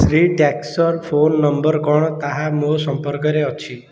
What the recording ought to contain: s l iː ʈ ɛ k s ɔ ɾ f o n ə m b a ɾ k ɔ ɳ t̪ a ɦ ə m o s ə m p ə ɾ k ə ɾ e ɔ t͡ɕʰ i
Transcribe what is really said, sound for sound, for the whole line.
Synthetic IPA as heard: s ɾ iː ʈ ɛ k s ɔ ɾ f o nː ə m b ə ɾ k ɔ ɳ t̪ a ɦ a m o s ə m p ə ɾ k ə ɾ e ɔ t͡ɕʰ i